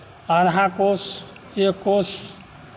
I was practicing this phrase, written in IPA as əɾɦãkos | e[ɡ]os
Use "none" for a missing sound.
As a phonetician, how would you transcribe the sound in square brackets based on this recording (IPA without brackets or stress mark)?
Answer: k